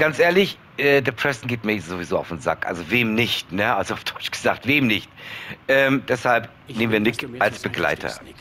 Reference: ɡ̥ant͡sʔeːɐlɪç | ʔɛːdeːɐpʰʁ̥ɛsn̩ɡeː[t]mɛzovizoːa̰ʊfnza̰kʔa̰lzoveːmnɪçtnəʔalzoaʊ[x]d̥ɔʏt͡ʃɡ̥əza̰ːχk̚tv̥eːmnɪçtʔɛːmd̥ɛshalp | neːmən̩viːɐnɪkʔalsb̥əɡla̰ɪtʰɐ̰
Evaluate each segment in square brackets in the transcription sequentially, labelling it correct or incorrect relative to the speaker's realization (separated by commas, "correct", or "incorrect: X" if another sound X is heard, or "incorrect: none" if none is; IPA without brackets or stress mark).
correct, incorrect: f